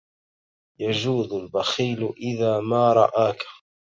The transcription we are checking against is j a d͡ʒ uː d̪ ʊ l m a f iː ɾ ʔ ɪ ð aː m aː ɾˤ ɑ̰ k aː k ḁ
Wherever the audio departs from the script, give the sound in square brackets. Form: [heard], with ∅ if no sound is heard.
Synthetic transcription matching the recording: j a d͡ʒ uː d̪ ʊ l [b] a [x] iː [l] ʔ ɪ ð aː m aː ɾˤ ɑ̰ [ʔ] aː k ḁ